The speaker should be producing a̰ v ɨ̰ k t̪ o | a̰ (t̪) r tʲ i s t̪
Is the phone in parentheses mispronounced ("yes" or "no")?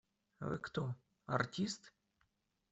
yes